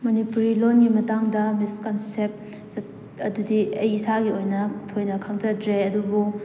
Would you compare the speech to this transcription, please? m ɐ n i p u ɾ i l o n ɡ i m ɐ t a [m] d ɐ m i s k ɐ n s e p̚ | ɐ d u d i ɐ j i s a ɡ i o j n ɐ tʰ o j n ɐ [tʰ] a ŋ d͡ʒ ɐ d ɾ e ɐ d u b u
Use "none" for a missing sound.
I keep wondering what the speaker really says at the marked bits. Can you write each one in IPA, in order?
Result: ŋ, kʰ

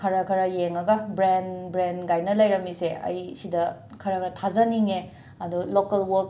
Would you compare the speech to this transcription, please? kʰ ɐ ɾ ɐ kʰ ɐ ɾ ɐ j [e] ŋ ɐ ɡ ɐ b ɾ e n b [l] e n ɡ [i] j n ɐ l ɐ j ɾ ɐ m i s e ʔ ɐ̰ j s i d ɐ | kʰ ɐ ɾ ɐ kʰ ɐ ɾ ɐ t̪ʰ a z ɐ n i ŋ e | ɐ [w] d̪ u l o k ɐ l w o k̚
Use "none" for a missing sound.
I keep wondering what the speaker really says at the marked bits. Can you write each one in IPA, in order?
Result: e, ɾ, a, none

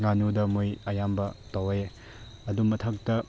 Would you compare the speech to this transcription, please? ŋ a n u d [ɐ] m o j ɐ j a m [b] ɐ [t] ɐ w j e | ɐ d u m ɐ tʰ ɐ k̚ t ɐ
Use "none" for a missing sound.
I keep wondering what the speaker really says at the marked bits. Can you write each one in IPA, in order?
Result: ɐ, b, t

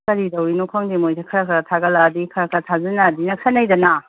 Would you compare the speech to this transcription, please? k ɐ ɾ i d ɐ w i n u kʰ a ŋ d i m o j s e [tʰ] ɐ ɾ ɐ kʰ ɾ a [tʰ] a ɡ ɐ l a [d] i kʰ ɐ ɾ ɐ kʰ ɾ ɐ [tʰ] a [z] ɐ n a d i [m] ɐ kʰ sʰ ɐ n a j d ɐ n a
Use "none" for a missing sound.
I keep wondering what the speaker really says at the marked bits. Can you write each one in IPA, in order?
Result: kʰ, tʰ, d, tʰ, z, n

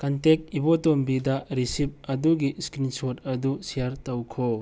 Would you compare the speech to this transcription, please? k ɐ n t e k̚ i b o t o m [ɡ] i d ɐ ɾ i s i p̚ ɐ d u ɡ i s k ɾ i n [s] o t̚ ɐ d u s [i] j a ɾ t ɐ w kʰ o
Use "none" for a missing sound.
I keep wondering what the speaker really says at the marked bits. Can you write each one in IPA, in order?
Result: b, s, i

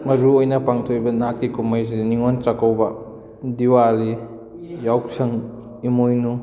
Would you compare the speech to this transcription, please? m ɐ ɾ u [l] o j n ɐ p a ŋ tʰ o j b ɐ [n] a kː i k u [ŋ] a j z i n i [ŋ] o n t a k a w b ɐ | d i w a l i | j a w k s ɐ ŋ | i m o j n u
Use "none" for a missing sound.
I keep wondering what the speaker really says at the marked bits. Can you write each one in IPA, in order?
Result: none, n, m, ŋ

